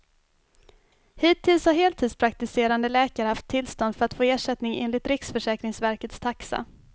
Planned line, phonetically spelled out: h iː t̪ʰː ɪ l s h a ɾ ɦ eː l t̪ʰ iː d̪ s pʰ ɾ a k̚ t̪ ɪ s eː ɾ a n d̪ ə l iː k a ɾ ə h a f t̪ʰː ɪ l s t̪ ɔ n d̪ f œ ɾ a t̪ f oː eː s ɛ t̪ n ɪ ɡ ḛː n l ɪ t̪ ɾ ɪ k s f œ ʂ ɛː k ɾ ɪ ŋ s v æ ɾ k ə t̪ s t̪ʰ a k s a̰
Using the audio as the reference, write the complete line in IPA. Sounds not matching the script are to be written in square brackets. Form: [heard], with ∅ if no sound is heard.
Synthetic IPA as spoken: h iː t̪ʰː ɪ l s h a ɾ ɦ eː l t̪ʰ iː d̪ s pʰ ɾ a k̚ t̪ ɪ s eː ɾ a n d̪ ə l [ɛː] k a ɾ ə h a f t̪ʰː ɪ l s t̪ ɔ n d̪ f œ ɾ a t̪ f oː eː [ʂ] ɛ t̪ n ɪ [ŋ] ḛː n l ɪ t̪ ɾ ɪ k s f œ ʂ ɛː k ɾ ɪ ŋ s v æ ɾ k ə t̪ s t̪ʰ a k s a̰